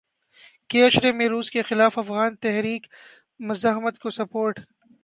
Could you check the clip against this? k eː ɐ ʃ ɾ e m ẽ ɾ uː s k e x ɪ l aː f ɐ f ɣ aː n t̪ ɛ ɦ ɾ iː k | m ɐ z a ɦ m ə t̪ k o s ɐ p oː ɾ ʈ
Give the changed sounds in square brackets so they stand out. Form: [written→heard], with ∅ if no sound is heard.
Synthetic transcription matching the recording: k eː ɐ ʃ ɾ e m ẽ ɾ uː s k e x ɪ l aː f ɐ f ɣ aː n t̪ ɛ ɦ ɾ iː k | m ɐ z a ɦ m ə t̪ k o s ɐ p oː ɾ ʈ